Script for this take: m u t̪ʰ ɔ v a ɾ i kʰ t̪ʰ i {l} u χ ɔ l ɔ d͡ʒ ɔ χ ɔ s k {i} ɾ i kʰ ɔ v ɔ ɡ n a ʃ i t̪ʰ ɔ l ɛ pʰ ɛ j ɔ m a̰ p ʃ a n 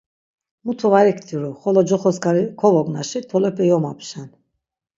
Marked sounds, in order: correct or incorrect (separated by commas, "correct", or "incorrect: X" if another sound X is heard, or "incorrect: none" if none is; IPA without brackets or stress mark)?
incorrect: ɾ, incorrect: a